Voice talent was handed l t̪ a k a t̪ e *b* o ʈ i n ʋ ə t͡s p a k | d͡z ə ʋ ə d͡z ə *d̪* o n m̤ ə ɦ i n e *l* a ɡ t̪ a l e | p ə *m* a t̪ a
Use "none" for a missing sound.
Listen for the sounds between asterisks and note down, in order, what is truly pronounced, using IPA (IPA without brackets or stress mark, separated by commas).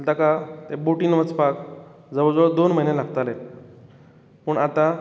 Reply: b, d̪, l, ɳ